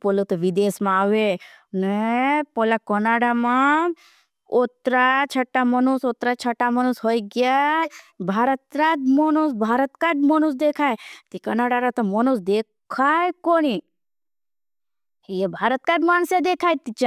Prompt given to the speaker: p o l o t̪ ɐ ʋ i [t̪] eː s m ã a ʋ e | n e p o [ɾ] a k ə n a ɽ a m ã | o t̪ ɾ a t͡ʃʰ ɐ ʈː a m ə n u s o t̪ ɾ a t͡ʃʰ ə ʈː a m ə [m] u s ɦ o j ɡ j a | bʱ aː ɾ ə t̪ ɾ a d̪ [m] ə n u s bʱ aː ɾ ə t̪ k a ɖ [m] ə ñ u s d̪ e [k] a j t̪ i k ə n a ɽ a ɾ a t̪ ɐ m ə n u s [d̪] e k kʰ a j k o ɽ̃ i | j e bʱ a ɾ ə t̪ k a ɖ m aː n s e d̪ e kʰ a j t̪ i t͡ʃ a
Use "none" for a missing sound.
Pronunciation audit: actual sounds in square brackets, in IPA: d̪, l, n, m, m, kʰ, d̪

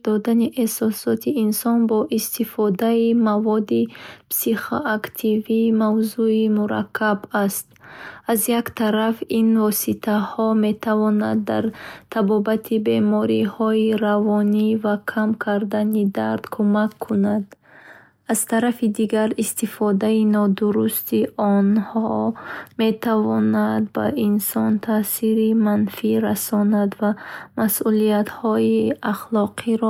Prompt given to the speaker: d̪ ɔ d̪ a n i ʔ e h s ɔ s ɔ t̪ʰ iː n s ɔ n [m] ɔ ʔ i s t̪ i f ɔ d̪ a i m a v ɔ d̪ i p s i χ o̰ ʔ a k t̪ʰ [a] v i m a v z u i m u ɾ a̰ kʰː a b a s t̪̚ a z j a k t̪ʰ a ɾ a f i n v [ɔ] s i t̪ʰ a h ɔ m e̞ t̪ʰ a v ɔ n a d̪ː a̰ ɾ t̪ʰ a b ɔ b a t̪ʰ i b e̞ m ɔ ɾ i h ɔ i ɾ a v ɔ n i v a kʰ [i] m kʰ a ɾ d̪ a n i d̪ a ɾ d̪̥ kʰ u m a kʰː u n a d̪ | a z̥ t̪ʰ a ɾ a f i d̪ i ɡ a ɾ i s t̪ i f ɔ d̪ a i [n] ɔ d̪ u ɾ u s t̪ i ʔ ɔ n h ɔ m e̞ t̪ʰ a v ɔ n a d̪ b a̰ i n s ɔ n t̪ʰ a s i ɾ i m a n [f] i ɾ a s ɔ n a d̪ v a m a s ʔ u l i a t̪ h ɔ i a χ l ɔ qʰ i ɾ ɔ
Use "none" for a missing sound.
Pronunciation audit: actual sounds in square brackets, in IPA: b, i, ɔ, a, n, f

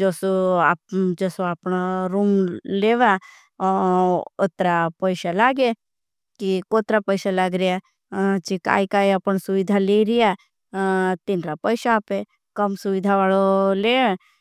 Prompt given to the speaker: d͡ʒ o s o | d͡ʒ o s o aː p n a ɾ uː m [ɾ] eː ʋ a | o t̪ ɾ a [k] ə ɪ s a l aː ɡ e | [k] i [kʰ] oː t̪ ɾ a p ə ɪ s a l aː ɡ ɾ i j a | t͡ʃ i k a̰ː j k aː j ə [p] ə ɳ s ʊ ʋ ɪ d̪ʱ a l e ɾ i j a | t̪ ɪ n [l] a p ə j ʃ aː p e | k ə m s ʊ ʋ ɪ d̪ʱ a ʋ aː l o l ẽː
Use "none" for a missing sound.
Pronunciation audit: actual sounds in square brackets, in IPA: l, p, k, k, p, ɾ

